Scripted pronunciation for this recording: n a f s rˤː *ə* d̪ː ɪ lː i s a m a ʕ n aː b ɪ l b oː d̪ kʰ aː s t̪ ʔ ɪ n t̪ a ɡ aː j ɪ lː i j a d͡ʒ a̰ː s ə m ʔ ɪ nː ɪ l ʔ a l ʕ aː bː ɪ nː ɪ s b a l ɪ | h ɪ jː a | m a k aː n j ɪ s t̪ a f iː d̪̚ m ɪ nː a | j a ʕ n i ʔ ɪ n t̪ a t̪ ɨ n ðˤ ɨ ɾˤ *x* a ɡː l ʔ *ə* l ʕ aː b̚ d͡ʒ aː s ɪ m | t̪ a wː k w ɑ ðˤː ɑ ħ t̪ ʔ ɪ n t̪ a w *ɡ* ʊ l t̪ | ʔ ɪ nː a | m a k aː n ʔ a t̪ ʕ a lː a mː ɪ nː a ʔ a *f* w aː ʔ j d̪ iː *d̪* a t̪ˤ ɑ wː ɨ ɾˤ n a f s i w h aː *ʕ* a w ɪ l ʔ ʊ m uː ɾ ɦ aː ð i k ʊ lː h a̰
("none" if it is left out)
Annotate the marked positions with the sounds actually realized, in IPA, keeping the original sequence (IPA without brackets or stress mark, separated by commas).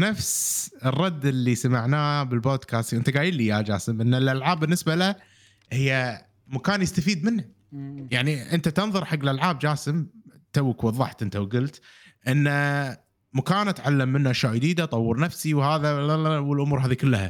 ɑ, ħ, a, ɡ, ʃ, d̪, ð